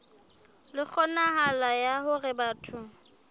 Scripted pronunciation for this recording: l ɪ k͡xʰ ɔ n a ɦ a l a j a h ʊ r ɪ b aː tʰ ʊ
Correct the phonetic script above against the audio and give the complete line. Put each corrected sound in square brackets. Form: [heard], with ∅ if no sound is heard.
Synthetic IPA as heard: l ɪ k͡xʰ ɔ n a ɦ a l a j a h ʊ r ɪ b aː tʰ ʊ